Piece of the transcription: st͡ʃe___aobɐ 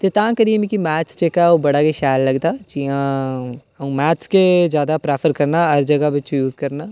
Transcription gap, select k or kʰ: k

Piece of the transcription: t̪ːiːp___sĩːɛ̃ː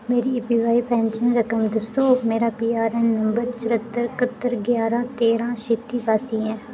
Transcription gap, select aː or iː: aː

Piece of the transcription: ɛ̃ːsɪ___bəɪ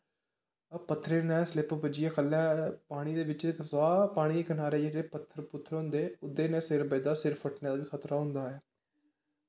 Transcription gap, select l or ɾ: ɾ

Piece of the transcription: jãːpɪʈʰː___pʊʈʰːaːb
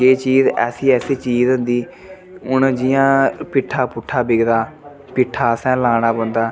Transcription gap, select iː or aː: aː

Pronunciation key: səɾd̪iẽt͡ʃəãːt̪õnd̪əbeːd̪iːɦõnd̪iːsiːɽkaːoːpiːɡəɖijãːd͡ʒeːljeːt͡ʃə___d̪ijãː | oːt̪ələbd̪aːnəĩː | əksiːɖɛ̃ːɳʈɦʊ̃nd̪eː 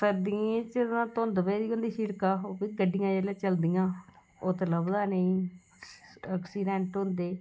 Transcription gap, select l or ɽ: l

